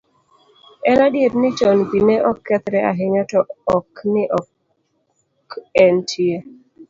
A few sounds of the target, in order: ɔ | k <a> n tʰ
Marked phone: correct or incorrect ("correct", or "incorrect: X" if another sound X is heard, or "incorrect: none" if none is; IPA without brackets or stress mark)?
incorrect: ɛ